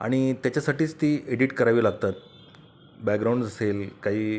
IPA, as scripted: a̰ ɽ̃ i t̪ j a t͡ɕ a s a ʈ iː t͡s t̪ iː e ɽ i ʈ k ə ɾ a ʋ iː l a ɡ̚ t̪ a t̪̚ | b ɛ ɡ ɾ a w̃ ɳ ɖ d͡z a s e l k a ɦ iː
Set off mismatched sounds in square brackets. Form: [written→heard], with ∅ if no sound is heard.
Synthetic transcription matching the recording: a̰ ɽ̃ i t̪ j a t͡ɕ a s a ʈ iː t͡s t̪ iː e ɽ i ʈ k ə ɾ a ʋ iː l a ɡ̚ t̪ a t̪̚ | b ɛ ɡ ɾ a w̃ ɳ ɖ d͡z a s e l k a ɦ iː

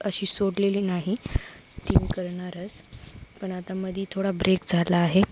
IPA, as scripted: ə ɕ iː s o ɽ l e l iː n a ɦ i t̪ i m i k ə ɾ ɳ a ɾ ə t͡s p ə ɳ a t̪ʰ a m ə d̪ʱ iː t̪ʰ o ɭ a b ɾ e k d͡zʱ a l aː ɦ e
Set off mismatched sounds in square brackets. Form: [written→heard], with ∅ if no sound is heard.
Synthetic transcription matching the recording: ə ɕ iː s o ɽ l e l iː n a ɦ i t̪ i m i k ə ɾ ɳ a ɾ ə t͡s p ə ɳ a [t̪ʰ→t̪] a m ə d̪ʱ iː t̪ʰ o [ɭ→ɽ] a b ɾ e k d͡zʱ a l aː ɦ e

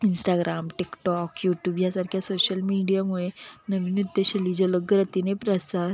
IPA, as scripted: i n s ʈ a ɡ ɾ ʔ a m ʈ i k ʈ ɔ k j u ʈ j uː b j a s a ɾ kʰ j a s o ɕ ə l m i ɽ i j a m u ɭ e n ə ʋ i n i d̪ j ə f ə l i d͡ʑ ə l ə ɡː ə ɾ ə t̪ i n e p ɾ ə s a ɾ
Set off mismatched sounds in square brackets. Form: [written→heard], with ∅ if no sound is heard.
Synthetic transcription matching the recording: i n s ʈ a ɡ ɾ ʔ a m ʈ i k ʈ ɔ k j u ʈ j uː b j a s a ɾ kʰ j a s o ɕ ə l m i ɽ i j a m u ɭ e n ə ʋ i n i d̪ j ə [f→ɕ] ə l i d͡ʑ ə l ə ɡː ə ɾ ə t̪ i n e p ɾ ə s a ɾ

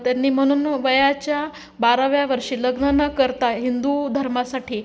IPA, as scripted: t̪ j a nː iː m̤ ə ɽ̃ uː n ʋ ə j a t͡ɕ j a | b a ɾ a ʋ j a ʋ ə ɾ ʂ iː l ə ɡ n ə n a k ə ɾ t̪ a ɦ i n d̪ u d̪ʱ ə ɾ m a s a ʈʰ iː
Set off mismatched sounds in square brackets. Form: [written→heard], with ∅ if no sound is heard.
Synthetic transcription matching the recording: t̪ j a nː iː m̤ ə ɽ̃ uː n ʋ ə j a t͡ɕ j a | b a ɾ a ʋ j a ʋ ə ɾ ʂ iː l ə ɡ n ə n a k ə ɾ t̪ a ɦ i n d̪ u d̪ʱ ə ɾ m a s a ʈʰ iː

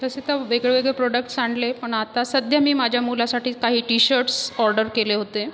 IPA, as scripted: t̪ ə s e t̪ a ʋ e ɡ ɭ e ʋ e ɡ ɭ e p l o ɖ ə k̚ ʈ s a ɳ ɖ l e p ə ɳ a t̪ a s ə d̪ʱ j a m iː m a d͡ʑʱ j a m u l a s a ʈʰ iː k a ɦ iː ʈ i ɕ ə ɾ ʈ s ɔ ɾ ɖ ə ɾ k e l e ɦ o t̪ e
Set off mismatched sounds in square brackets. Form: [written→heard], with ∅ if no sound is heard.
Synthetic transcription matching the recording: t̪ ə s e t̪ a ʋ e ɡ ɭ e ʋ e ɡ ɭ e p [l→ɾ] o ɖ ə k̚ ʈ s a ɳ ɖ l e p ə ɳ a t̪ a s ə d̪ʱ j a m iː m a d͡ʑʱ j a m u l a s a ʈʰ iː k a ɦ iː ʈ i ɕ ə ɾ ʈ s ɔ ɾ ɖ ə ɾ k e l e ɦ o t̪ e

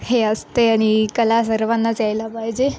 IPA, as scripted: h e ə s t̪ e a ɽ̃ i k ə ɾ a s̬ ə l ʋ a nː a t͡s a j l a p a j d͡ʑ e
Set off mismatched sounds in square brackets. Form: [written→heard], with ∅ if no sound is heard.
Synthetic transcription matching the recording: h e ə s t̪ e a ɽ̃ i k ə [ɾ→l] a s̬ ə [l→ɾ] ʋ a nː a t͡s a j l a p a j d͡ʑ e

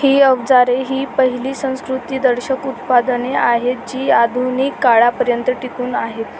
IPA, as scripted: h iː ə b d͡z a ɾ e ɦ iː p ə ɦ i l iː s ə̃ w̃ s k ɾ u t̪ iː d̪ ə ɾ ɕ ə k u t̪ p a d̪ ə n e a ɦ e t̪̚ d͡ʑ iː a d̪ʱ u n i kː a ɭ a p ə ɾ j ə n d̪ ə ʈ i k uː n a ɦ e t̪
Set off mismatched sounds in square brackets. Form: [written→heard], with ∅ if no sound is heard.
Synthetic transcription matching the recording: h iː ə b d͡z a ɾ e ɦ iː p ə ɦ i l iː s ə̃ w̃ s k ɾ u t̪ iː d̪ ə ɾ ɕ ə k u t̪ p a d̪ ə n e a ɦ e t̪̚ d͡ʑ iː a d̪ʱ u n i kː a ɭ a p ə ɾ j ə n [d̪→t̪] ə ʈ i k uː n a ɦ e t̪

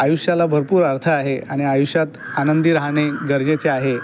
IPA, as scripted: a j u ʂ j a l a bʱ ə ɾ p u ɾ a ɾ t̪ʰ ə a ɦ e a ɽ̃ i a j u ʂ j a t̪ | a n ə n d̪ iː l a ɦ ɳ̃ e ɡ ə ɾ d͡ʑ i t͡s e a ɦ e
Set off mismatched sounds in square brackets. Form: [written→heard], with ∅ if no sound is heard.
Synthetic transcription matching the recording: a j u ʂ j a l a bʱ ə ɾ p [u→uː] ɾ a ɾ t̪ʰ ə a ɦ e a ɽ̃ i a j u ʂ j a t̪ | a n ə n d̪ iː [l→ɾ] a ɦ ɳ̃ e ɡ ə ɾ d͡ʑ [i→e] t͡s e a ɦ e

